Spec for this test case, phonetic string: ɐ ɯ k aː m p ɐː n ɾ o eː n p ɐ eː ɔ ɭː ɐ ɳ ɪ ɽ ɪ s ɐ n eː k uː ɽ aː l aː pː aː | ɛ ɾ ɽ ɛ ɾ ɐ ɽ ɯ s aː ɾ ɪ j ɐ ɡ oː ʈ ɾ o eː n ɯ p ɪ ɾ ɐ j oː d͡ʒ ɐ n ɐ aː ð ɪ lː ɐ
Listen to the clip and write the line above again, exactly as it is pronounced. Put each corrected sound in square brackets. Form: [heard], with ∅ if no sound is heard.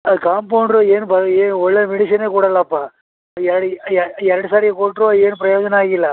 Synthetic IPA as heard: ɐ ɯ k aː m p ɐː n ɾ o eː n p ɐ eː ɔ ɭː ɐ [m] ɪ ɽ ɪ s ɐ n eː k uː ɽ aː l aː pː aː | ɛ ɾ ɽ ɛ ɾ ɐ ɽ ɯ s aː ɾ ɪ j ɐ [k] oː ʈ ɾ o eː n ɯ p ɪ ɾ ɐ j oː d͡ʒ ɐ n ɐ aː [ɣ] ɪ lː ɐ